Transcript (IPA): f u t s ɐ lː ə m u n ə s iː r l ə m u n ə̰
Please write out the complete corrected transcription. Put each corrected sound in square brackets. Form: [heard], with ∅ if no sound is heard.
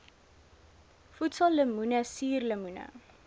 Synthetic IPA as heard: f u t s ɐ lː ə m u n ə s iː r l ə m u n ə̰